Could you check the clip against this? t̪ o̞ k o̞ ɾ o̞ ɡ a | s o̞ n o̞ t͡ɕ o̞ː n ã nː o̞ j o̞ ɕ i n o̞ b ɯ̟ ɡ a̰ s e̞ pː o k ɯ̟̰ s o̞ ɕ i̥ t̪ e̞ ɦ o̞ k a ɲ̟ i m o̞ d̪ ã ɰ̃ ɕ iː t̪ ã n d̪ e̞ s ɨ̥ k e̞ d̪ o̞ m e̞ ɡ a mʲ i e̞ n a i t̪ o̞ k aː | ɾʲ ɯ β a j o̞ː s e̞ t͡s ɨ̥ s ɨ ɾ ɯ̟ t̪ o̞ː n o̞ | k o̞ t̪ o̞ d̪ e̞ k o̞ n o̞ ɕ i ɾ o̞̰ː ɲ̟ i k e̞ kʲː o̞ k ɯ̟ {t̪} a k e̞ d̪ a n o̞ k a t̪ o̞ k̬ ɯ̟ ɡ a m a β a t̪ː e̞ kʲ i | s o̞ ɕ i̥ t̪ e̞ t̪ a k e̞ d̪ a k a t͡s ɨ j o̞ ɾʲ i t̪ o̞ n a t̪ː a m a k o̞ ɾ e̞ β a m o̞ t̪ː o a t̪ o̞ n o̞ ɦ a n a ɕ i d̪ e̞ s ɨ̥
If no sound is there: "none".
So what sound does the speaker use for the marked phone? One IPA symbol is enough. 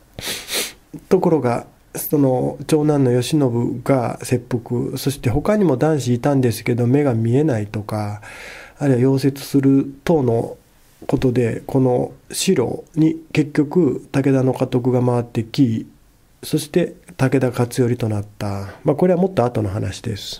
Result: t̪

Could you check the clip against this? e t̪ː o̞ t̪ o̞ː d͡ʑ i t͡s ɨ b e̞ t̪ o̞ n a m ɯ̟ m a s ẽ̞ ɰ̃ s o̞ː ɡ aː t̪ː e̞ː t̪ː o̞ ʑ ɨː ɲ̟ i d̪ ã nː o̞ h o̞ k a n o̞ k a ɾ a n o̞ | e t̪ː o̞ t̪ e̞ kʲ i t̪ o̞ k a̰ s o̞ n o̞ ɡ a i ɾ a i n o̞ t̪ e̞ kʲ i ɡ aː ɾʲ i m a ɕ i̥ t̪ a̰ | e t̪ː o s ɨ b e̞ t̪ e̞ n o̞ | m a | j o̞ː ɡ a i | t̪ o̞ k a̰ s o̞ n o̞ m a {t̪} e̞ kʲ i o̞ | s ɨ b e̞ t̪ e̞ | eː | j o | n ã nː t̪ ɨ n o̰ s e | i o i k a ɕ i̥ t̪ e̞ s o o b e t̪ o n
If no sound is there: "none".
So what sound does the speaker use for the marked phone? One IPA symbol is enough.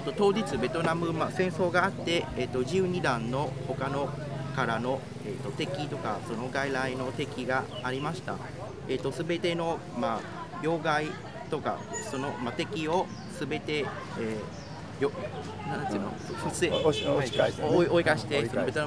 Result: t̪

